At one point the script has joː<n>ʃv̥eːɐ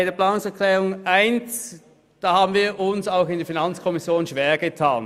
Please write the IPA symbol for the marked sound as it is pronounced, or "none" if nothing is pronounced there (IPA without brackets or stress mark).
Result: n